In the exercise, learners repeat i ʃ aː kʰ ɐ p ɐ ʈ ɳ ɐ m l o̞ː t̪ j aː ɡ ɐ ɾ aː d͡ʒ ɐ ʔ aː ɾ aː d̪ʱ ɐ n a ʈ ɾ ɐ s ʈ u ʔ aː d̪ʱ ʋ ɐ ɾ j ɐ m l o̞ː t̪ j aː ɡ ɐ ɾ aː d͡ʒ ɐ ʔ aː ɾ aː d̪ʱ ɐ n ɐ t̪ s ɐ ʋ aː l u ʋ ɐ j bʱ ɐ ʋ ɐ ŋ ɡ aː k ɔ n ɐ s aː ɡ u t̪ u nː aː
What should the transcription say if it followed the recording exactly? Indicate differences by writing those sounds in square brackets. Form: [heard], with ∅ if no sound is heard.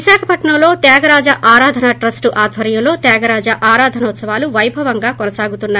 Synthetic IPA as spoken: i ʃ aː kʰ ɐ p ɐ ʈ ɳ ɐ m l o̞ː t̪ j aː ɡ ɐ ɾ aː d͡ʒ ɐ ʔ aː ɾ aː d̪ʱ ɐ n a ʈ ɾ ɐ s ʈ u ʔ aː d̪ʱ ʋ ɐ ɾ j ɐ m l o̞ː t̪ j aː ɡ ɐ ɾ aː d͡ʒ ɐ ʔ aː ɾ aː d̪ʱ ɐ n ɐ t̪ s ɐ ʋ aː l u ʋ ɐ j bʱ ɐ ʋ ɐ ŋ ɡ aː k ɔ n ɐ s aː ɡ u t̪ u nː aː